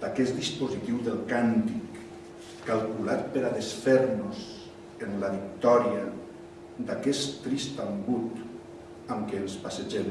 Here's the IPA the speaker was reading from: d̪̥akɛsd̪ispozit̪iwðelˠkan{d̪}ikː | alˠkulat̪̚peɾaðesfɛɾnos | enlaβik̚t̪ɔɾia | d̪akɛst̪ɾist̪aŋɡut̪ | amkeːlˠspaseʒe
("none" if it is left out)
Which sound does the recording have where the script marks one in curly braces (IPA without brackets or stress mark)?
t̪